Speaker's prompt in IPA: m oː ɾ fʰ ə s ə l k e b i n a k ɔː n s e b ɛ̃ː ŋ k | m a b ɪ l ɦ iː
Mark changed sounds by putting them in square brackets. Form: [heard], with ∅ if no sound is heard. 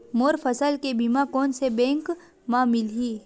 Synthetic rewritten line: m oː ɾ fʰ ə s ə l k e b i [m] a k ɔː n s e b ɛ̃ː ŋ k | m a [m] ɪ l ɦ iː